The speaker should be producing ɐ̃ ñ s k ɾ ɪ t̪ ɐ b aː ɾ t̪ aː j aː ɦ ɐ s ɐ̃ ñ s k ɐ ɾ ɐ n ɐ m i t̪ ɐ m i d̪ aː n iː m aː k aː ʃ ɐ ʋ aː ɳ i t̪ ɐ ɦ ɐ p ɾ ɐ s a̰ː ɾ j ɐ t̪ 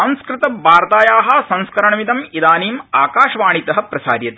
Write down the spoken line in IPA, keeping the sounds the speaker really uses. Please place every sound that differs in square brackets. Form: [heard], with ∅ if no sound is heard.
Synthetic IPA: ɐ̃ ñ s k ɾ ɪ t̪ ɐ b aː ɾ t̪ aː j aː ɦ ɐ s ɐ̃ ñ s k ɐ ɾ ɐ [ɳ] ɐ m i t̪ ɐ m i d̪ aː n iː m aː k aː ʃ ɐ ʋ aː ɳ i t̪ ɐ ɦ ɐ p ɾ ɐ s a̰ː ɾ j ɐ t̪

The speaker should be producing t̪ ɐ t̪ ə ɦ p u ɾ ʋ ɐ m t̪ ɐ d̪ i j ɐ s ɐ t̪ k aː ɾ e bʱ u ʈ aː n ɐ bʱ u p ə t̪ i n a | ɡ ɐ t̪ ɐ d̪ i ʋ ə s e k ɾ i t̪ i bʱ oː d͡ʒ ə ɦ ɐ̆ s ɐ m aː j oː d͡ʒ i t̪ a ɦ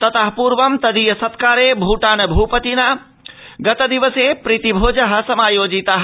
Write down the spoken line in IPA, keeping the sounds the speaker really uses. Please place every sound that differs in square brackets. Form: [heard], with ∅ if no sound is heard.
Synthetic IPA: t̪ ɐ t̪ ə ɦ p u ɾ ʋ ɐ m t̪ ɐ d̪ i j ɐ s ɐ t̪ k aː ɾ e bʱ u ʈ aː n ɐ bʱ u p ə t̪ i n a | ɡ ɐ t̪ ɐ d̪ i ʋ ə s e [p] ɾ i t̪ i bʱ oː d͡ʒ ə ɦ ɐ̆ s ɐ m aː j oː d͡ʒ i t̪ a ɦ

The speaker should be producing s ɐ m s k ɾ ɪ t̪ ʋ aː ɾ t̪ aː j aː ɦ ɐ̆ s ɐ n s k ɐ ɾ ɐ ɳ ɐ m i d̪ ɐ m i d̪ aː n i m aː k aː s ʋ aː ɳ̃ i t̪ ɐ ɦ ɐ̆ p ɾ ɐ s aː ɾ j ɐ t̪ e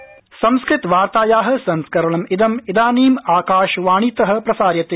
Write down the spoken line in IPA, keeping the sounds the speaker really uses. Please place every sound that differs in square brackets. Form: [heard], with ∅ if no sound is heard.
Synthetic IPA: s ɐ m s k ɾ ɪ t̪ ʋ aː ɾ t̪ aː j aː ɦ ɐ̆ s ɐ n s k ɐ ɾ ɐ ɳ ɐ m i d̪ ɐ m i d̪ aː n [iː] m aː k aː [ʃ] ʋ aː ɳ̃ i t̪ ɐ ɦ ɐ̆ p ɾ ɐ s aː ɾ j ɐ t̪ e

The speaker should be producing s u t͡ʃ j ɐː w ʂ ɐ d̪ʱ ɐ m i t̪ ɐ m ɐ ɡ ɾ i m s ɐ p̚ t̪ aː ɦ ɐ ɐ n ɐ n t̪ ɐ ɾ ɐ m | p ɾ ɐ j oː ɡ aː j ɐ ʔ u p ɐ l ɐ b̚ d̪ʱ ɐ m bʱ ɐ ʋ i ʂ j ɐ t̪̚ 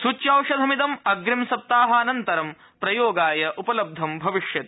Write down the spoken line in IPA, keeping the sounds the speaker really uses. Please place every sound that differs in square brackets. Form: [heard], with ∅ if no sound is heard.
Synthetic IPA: s u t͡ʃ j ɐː w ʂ ɐ d̪ʱ ɐ m i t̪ ɐ m ɐ ɡ ɾ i m s ɐ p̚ t̪ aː ɦ ɐ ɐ n ɐ n t̪ ɐ ɾ ɐ m | p ɾ ɐ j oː ɡ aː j ɐ ʔ u p ɐ l ɐ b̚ d̪ʱ ɐ m bʱ ɐ ʋ i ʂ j ɐ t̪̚

